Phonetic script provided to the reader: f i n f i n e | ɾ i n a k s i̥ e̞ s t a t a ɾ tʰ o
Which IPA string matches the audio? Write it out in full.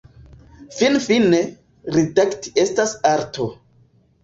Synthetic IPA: f i n f i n e | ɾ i d a k t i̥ e̞ s t a s a ɾ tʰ o

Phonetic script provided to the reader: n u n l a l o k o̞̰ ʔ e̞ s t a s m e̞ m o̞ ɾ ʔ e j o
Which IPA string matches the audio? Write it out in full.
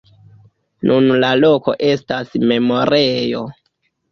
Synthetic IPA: n u n l a l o k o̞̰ ʔ e̞ s t a s m e̞ m o̞ ɾ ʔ e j o

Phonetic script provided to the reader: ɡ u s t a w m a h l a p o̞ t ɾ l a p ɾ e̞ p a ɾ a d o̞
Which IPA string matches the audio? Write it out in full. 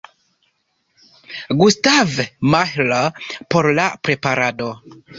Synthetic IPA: ɡ u s t a v m a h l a p o̞ ɾ l a p ɾ e̞ p a ɾ a d o̞

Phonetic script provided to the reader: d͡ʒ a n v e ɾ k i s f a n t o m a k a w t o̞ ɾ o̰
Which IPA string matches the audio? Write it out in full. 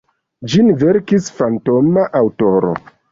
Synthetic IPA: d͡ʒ i n v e ɾ k i s f a n t o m a ʔ a w t o̞ ɾ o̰

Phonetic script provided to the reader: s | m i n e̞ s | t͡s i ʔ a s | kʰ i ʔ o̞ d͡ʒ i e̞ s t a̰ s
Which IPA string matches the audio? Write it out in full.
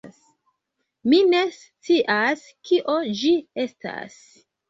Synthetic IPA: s | m i n e̞ s | t͡s i ʔ a s | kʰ i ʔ o̞ d͡ʒ i e̞ s t a̰ s

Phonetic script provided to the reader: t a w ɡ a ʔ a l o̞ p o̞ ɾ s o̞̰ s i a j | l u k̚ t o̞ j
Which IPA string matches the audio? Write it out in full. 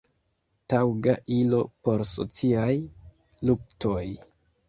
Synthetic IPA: t a w ɡ a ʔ i l o̞ p o̞ ɾ s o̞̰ t͡s i a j | l u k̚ t o̞ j

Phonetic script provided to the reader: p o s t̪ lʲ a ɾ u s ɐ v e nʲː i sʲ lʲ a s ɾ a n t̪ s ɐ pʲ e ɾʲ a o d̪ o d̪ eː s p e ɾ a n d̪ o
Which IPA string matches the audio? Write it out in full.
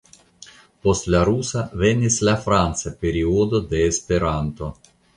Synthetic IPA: p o s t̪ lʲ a ɾ u s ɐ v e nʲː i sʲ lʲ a f ɾ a n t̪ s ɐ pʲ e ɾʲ i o d̪ o d̪ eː s p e ɾ a n t̪ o

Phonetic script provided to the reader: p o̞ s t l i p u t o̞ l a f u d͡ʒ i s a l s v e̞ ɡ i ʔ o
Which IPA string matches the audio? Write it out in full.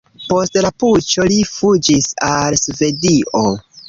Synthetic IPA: p o̞ s t l a p u t͡ʃ o̞ l i f u d͡ʒ i s a l s v e̞ d i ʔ o

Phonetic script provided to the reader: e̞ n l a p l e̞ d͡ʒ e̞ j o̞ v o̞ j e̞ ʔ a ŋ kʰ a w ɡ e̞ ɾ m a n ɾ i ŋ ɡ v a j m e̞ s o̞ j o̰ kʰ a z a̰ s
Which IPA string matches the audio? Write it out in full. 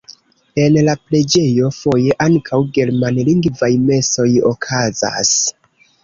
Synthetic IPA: e̞ n l a p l e̞ d͡ʒ e̞ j o̞ f o̞ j e̞ ʔ a ŋ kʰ a w ɡ e̞ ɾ m a n l i ŋ ɡ v a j m e̞ s o̞ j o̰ kʰ a z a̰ s

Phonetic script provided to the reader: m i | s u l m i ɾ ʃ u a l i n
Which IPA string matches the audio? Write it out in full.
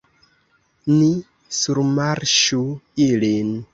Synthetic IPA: n i | s u ɾ m a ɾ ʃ u i l i n

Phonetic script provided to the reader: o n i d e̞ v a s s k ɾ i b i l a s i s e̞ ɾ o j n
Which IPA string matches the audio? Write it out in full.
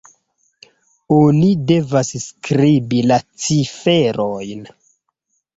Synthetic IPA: o n i d e̞ v a s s k ɾ i b i l a t͡s i f e̞ ɾ o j n

